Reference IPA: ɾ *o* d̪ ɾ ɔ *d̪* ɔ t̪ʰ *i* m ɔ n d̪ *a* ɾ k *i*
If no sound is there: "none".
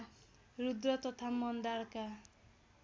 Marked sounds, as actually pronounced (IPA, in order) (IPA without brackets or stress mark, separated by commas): u, t̪, a, a, a